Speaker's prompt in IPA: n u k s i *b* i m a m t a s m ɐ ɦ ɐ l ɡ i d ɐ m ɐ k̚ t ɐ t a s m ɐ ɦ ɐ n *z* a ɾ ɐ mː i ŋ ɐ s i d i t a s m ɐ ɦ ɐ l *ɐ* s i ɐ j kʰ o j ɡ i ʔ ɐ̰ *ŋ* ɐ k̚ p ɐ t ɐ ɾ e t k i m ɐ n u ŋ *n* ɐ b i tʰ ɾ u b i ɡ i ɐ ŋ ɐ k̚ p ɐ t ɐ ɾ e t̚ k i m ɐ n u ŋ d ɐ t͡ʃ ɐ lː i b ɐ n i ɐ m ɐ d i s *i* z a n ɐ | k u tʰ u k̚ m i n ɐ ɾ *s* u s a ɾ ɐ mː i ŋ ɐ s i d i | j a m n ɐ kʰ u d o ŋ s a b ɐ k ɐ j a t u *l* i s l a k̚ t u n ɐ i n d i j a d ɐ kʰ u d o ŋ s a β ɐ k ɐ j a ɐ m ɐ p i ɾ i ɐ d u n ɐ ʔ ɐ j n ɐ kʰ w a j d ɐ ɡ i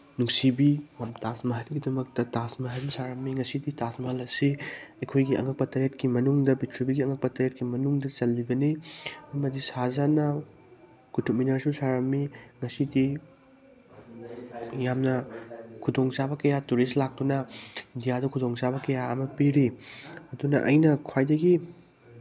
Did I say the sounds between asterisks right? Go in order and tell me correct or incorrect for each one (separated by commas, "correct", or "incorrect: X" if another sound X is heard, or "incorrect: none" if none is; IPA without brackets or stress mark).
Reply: correct, incorrect: s, correct, correct, incorrect: d, incorrect: a, correct, incorrect: ɾ